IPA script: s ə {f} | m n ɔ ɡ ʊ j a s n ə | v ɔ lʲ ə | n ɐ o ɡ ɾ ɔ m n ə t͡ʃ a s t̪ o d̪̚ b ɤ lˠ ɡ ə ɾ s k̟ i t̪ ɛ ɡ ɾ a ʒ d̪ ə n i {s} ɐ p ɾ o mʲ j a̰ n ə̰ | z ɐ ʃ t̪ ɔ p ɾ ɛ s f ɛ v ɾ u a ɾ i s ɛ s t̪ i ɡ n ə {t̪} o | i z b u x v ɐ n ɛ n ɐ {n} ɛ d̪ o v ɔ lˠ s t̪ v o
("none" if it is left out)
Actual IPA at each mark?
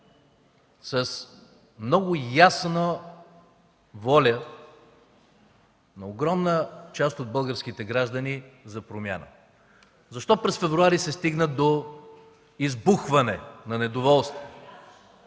s, z, d̪, n

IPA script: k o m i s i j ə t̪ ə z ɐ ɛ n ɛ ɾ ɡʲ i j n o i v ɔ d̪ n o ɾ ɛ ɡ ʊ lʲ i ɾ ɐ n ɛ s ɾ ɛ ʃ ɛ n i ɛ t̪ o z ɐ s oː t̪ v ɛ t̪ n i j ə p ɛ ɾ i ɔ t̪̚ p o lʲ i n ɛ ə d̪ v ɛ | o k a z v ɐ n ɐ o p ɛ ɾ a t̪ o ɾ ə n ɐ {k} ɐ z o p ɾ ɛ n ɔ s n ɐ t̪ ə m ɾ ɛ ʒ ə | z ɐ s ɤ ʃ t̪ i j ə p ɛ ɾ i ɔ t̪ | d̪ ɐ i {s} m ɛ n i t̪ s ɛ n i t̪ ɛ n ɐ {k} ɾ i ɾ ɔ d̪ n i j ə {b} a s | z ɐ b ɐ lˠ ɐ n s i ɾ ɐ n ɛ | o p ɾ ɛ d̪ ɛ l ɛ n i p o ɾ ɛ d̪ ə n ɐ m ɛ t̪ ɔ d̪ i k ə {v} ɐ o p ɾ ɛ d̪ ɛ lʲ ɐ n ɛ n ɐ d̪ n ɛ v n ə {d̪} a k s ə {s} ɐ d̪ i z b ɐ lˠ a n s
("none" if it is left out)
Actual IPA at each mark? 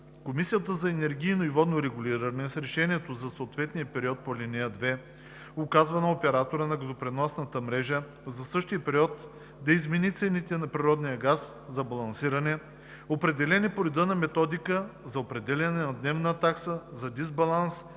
ɡ, z, p, ɡ, z, t̪, z

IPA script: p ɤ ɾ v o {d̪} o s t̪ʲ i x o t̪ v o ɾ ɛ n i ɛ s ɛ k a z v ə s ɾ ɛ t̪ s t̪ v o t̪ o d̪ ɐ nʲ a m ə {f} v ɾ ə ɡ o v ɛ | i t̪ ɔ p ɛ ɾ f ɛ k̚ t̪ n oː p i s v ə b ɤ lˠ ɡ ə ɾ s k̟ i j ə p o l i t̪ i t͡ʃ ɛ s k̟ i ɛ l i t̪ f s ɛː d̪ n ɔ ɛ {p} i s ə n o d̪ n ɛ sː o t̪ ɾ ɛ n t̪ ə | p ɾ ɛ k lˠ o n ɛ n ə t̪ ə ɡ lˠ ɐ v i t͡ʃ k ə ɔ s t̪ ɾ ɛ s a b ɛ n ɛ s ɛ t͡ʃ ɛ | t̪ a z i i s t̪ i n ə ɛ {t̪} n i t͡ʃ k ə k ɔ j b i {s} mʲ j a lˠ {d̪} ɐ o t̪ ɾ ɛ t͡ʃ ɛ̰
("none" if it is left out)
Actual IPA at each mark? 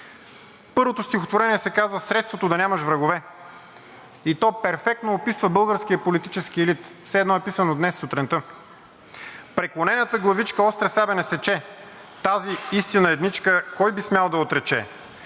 t̪, ʃ, p, d̪, s, d̪

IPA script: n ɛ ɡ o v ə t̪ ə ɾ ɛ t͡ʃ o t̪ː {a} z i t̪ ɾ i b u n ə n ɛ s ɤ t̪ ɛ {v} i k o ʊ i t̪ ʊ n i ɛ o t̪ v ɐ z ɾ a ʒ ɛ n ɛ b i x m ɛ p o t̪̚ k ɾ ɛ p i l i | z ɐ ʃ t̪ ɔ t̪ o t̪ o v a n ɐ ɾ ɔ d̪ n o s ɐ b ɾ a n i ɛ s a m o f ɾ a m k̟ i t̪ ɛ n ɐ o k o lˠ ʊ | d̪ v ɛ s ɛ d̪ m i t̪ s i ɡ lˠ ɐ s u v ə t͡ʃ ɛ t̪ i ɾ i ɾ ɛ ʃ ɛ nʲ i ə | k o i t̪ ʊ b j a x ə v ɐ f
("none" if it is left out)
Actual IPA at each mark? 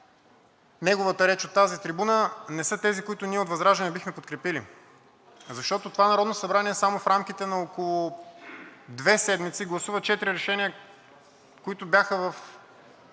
a, z

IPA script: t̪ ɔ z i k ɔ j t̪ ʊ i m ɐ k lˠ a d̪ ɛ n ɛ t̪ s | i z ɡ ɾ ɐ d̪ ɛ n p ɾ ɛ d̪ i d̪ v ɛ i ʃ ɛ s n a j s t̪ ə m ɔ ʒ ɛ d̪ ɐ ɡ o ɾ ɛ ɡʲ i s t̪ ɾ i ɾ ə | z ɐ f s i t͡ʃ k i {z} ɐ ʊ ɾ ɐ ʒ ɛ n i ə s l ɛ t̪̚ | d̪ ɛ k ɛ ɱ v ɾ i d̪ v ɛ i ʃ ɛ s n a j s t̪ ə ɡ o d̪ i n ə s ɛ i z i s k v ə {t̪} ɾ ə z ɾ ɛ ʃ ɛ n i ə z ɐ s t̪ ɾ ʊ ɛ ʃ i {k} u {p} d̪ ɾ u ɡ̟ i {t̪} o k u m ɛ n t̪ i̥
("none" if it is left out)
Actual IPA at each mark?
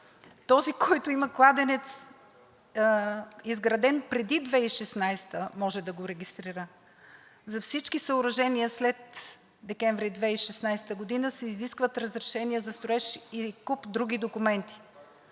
s, t̪, k, p, d̪

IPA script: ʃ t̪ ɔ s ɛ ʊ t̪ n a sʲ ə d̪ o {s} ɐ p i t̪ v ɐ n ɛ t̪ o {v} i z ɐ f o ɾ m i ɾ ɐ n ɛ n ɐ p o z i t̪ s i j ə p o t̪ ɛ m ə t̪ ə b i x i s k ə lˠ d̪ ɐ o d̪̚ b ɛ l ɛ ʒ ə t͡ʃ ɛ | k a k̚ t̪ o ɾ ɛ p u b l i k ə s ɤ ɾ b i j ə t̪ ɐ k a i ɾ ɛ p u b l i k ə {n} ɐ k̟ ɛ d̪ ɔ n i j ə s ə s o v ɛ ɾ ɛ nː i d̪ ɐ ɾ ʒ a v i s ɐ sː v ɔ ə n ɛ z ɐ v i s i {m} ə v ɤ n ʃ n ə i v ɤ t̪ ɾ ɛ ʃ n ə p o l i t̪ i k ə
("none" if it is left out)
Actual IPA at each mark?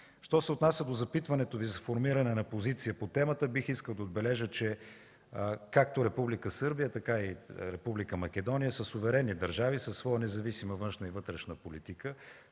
z, v, m, m

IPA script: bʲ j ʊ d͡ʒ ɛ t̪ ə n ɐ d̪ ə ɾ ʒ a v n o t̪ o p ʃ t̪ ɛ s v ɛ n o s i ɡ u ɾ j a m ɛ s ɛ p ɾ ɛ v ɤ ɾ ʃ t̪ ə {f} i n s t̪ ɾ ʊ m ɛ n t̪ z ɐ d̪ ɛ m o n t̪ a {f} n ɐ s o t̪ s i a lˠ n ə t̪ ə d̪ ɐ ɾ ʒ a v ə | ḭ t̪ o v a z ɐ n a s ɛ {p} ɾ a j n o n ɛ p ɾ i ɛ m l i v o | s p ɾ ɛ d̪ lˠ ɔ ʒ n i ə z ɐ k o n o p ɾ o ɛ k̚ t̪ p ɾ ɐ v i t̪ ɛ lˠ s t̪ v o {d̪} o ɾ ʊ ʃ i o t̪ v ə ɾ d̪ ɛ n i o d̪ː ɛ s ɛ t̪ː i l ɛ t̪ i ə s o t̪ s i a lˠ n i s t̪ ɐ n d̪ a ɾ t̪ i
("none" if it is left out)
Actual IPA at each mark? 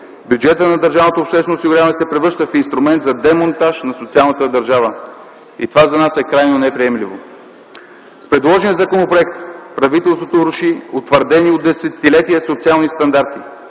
f, ʃ, k, t̪

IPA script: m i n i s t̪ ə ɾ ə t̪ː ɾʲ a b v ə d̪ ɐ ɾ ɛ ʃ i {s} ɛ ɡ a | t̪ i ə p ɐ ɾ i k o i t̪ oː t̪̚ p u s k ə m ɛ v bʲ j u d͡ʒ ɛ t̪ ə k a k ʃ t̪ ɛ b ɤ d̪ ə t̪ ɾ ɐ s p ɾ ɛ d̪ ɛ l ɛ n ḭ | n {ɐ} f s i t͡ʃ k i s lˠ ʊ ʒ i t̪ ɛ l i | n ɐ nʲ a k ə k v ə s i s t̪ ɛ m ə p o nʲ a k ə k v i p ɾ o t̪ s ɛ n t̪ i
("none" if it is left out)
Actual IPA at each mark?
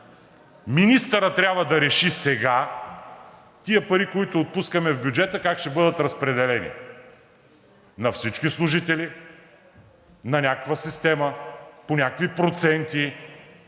s, ɐ

